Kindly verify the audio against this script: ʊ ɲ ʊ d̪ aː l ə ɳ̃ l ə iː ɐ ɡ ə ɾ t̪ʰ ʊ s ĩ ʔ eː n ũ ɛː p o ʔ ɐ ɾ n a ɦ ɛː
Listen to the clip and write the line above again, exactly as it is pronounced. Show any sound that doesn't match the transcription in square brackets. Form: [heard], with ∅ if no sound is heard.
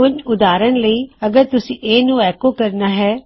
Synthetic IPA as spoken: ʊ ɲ ʊ d̪ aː [ɾ] ə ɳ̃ l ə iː ɐ ɡ ə ɾ [t̪] ʊ s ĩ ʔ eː n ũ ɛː [k] o [k] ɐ ɾ n a ɦ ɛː